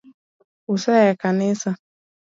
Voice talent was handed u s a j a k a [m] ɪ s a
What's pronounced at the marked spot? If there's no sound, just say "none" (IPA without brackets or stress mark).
n